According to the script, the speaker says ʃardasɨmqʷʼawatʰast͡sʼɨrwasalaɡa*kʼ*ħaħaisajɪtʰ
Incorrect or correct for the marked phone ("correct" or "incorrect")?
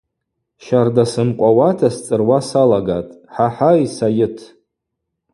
incorrect